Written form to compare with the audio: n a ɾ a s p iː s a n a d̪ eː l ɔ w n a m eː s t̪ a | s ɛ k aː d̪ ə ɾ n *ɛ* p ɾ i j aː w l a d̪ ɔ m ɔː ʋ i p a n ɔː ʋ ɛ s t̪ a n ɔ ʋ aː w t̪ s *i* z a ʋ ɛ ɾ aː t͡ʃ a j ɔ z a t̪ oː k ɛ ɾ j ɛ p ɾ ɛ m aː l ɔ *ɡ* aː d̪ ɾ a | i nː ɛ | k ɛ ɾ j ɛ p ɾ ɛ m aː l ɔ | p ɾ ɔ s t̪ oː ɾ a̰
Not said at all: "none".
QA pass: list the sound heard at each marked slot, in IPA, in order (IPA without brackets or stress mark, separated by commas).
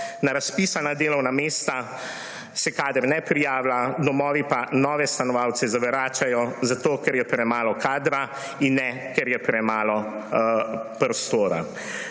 ɛ, ɛ, k